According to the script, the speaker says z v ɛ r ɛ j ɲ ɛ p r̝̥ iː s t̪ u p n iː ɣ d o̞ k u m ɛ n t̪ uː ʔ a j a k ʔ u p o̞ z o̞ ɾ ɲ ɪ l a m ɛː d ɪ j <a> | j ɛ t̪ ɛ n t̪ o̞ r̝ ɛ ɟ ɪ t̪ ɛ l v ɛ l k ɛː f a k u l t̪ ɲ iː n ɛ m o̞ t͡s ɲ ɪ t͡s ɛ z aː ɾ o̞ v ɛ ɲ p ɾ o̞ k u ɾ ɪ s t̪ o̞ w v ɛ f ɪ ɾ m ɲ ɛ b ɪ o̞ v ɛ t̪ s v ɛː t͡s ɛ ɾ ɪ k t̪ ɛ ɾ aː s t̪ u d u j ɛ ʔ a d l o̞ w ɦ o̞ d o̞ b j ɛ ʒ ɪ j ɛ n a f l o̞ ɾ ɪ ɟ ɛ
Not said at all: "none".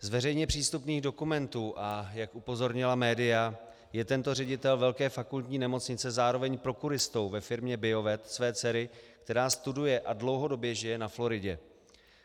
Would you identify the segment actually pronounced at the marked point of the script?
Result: a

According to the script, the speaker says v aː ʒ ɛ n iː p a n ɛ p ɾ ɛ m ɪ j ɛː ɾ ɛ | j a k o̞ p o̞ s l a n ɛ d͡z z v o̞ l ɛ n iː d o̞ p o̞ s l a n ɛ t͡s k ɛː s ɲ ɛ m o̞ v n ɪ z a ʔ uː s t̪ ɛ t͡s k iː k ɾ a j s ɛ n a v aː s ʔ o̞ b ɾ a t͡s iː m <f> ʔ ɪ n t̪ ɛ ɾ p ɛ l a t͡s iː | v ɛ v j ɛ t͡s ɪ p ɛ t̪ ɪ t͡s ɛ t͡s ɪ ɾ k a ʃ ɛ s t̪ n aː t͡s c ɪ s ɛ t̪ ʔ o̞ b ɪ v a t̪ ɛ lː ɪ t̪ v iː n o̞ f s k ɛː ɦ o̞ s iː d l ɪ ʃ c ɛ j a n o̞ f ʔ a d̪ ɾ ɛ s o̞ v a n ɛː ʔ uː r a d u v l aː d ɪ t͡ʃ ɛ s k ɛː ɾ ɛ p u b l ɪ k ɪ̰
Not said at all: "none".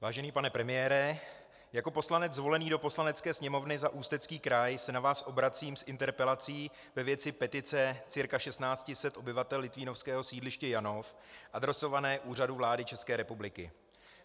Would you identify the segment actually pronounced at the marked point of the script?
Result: s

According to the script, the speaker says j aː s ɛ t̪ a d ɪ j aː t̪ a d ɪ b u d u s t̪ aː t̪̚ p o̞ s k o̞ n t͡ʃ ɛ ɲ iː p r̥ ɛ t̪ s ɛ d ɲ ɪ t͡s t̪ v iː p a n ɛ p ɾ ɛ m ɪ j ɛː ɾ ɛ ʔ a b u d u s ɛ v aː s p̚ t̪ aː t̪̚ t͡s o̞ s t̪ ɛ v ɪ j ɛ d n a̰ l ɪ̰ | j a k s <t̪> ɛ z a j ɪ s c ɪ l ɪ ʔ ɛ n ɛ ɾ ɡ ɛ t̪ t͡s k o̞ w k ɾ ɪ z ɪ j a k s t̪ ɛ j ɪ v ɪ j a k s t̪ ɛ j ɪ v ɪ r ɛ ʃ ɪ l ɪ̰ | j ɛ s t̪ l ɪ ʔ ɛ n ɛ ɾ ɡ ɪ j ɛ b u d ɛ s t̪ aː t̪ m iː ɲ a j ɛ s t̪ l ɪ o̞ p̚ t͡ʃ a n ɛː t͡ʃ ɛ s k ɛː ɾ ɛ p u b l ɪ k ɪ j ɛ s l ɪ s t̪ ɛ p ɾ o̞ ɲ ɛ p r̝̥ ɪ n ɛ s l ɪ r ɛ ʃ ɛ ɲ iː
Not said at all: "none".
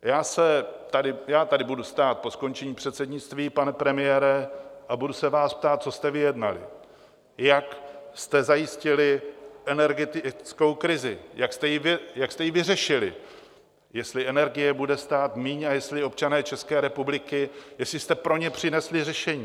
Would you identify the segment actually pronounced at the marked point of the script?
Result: t̪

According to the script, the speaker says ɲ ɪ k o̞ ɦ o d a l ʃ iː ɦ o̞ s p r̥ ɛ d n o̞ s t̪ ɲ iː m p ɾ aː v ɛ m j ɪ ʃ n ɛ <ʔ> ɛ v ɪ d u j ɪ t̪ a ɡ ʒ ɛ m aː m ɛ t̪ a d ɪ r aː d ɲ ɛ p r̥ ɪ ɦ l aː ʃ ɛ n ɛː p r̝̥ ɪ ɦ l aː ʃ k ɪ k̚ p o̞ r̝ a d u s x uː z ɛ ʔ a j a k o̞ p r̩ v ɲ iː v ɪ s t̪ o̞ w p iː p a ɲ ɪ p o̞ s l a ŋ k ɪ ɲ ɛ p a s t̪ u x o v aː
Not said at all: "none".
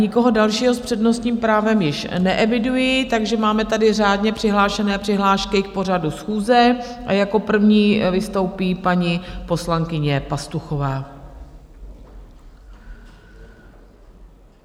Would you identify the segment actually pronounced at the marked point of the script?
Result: ʔ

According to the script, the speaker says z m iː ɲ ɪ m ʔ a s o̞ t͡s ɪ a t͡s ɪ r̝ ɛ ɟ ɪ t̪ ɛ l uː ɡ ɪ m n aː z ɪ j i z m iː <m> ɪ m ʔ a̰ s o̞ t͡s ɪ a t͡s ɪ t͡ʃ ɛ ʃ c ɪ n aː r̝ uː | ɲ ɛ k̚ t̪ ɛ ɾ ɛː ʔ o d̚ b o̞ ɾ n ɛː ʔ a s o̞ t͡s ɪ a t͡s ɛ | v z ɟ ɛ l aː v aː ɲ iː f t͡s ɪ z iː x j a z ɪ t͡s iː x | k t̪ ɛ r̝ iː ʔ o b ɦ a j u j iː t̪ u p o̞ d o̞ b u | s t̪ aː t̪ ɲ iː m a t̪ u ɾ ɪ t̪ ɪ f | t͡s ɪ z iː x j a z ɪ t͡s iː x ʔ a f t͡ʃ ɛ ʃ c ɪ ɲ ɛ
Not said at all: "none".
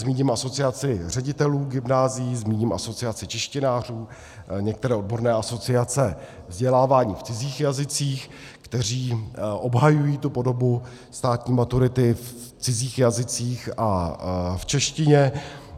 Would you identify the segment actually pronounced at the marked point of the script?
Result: ɲ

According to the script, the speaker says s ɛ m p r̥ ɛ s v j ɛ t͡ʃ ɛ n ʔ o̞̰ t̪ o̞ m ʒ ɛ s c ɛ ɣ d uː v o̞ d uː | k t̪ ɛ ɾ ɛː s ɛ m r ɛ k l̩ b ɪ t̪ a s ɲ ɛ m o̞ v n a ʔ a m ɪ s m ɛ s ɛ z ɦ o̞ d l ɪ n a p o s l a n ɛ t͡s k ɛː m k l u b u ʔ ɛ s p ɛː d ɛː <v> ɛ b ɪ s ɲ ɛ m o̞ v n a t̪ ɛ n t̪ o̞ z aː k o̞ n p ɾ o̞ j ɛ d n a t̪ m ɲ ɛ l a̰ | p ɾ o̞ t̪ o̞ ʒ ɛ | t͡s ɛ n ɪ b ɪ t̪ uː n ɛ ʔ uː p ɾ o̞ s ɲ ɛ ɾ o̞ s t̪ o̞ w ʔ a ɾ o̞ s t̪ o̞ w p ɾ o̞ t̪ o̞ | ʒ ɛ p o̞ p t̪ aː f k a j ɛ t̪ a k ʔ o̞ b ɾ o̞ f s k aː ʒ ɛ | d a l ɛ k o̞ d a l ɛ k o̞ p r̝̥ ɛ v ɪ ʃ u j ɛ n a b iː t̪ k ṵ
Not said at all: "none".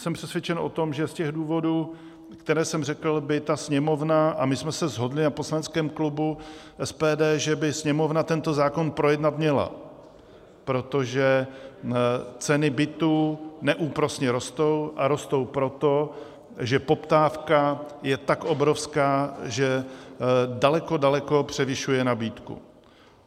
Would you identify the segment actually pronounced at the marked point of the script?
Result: ʒ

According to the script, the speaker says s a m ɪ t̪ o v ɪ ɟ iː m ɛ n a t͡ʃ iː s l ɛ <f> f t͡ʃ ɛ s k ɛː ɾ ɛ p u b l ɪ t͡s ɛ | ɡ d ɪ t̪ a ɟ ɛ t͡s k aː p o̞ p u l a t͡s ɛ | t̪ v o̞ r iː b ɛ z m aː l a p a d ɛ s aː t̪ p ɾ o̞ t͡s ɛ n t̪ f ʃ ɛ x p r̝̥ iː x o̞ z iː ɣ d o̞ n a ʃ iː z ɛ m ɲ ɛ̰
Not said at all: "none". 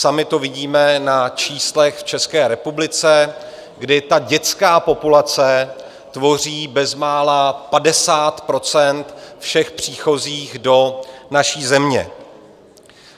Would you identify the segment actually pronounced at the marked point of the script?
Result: x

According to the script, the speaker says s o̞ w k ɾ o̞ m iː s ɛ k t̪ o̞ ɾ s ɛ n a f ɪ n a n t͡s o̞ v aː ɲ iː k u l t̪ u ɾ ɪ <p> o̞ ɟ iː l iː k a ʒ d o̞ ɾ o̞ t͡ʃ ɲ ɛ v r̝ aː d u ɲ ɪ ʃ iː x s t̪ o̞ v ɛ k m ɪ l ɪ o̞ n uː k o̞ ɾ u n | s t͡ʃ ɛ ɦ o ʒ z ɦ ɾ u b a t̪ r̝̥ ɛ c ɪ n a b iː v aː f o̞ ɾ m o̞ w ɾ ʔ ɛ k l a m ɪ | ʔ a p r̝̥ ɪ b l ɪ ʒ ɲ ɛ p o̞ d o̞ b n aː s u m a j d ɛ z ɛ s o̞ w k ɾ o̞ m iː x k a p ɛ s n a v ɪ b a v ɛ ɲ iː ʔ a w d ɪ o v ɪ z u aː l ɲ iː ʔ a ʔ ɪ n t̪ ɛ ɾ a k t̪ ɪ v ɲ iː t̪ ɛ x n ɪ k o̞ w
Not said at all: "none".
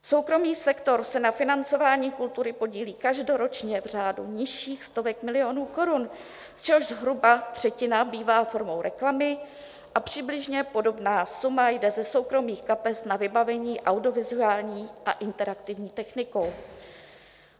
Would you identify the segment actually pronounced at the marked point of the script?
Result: p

